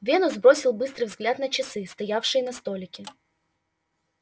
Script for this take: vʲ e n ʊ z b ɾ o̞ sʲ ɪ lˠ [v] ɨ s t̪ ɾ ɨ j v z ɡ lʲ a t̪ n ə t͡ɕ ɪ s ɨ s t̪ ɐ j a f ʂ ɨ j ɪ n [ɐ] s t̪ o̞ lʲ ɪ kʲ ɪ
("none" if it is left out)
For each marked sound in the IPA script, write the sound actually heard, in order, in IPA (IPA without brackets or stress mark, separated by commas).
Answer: b, ɐ